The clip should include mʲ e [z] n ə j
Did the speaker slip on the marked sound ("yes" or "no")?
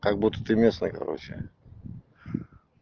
yes